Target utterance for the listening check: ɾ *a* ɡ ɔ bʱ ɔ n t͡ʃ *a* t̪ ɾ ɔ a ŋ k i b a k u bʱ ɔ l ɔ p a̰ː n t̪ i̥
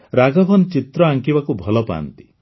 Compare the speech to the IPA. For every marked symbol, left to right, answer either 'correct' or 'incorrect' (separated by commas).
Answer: correct, incorrect